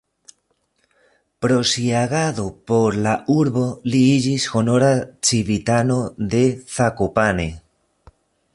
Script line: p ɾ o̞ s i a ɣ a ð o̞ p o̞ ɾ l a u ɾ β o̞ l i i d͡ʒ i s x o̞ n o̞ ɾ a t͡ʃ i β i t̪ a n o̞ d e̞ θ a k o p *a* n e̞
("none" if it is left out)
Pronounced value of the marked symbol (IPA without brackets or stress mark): a